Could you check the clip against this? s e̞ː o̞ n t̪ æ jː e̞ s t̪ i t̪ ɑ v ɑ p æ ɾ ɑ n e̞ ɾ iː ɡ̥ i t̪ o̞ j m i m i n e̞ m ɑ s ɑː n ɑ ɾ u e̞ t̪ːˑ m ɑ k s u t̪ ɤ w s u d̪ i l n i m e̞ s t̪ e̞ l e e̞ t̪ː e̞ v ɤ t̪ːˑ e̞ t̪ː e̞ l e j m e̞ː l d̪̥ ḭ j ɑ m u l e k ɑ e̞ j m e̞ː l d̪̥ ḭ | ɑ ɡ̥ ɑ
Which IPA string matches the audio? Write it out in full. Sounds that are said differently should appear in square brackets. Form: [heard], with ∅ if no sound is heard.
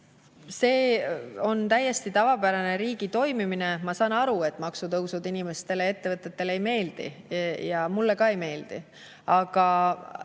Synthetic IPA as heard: s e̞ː o̞ n t̪ æ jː e̞ s t̪ i t̪ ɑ v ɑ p æ ɾ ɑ n e̞ ɾ iː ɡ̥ i t̪ o̞ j m i m i n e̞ m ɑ s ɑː n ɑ ɾ u e̞ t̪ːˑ m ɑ k s u t̪ ɤ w s u d̪ i [∅] n i m e̞ s t̪ e̞ l e e̞ t̪ː e̞ v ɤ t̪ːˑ e̞ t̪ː e̞ l e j m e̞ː l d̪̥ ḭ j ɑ m u [lː] e k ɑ e̞ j m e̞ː l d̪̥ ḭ | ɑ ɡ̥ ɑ